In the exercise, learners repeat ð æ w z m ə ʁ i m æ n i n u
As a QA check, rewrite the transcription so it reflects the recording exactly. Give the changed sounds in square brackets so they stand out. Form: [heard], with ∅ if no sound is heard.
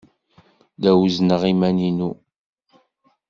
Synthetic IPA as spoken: ð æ w z [n] ə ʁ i m æ n i n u